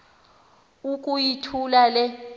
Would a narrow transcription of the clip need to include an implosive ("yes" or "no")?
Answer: no